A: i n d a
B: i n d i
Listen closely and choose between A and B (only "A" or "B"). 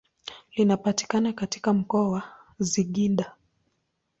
A